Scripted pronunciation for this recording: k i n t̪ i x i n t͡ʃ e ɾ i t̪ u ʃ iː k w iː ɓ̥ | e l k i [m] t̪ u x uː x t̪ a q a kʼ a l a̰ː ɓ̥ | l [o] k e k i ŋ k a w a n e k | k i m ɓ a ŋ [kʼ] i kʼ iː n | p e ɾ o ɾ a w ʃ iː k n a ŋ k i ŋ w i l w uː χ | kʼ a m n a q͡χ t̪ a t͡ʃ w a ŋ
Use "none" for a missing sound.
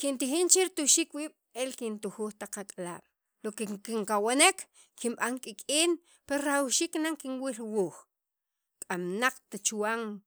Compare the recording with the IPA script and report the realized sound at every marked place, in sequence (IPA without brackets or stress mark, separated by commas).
n, o, kʼ